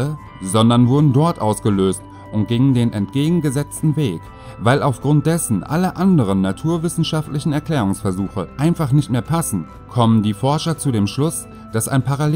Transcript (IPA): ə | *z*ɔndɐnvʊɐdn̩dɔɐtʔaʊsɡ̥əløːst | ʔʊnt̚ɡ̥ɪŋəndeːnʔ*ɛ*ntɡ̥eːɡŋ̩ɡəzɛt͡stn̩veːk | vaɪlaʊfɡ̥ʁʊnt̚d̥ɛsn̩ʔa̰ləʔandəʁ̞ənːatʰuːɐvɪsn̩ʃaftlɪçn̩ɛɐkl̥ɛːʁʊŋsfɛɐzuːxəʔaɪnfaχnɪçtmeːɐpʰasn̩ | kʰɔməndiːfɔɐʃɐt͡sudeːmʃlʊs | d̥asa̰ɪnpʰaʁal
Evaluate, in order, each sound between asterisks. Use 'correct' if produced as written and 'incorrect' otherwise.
correct, correct

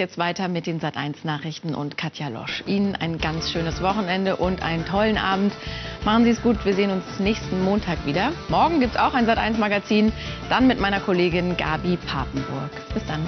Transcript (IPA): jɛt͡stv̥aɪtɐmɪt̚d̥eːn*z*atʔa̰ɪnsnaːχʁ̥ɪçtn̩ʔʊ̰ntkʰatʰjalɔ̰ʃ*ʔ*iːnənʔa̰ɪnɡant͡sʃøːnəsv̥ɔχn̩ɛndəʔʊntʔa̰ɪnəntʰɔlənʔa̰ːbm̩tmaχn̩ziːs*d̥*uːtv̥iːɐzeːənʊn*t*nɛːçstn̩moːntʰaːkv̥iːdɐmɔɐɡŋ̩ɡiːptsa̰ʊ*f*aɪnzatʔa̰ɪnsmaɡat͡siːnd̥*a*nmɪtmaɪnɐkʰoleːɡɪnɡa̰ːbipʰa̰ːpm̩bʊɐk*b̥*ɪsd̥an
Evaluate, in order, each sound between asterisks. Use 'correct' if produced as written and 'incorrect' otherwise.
correct, correct, incorrect: ɡ̥, incorrect: s, incorrect: x, correct, correct

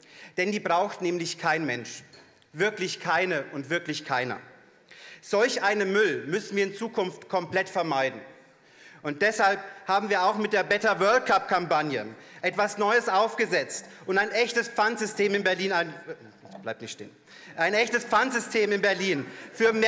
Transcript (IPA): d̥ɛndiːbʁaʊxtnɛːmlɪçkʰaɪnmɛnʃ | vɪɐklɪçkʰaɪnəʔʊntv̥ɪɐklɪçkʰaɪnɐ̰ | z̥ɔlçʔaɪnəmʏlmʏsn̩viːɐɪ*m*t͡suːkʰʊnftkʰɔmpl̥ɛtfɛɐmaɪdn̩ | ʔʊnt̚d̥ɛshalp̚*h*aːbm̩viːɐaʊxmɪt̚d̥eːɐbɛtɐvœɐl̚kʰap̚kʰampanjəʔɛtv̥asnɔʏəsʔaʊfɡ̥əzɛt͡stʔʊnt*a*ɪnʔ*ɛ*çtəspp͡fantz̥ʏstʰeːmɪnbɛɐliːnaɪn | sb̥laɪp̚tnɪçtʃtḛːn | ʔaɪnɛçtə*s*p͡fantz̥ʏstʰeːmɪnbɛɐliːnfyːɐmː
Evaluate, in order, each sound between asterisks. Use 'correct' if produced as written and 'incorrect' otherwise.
incorrect: n, correct, correct, correct, correct

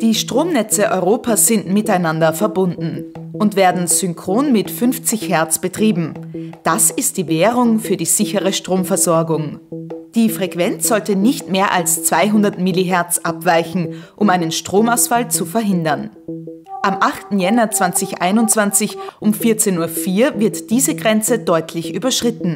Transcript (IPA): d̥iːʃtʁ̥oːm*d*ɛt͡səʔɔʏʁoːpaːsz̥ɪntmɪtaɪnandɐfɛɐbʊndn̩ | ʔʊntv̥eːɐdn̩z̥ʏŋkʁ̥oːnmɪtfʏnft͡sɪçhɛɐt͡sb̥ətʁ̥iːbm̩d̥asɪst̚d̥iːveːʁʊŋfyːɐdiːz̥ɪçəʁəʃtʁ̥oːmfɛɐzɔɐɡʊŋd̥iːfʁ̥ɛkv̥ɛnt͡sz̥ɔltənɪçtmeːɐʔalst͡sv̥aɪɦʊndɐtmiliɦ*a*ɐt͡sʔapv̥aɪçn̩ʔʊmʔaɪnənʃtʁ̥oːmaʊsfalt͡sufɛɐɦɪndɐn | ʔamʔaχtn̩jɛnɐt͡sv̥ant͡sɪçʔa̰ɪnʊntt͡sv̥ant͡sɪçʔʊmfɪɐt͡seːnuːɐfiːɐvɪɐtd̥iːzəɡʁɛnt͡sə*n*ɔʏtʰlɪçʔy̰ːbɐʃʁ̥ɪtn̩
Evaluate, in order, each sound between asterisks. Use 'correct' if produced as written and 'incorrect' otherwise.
incorrect: n, incorrect: ɛ, incorrect: d

